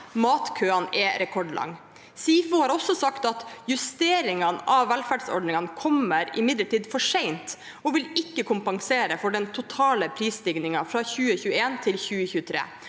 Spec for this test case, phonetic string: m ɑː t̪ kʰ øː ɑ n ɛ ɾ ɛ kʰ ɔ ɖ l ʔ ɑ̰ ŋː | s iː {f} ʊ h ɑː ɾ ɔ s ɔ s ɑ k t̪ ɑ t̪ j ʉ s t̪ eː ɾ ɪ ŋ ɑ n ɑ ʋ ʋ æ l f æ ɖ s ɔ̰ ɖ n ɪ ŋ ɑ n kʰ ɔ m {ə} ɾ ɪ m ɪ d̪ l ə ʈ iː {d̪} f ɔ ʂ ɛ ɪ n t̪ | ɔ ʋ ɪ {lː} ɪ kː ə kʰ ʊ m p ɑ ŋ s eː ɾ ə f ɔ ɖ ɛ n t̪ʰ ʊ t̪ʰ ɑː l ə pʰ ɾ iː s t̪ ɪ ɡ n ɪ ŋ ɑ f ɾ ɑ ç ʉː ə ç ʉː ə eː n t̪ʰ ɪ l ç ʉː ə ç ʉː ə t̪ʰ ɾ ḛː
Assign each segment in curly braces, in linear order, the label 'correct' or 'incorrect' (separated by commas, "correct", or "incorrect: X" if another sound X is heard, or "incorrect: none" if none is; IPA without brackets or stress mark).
correct, correct, correct, incorrect: l